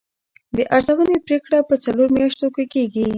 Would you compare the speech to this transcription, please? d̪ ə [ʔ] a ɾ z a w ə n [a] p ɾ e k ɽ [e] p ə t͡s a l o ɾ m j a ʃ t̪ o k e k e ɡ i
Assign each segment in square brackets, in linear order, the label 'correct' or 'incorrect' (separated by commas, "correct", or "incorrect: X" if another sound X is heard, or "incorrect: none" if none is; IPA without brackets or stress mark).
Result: correct, incorrect: e, incorrect: a